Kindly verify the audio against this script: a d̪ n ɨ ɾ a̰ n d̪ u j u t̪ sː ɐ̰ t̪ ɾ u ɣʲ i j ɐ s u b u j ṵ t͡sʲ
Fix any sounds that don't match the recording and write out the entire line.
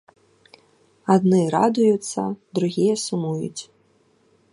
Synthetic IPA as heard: a d̪ n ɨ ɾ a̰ d̪ u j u t̪ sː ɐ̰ d̪ ɾ u ɣʲ i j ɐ s u m u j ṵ t͡sʲ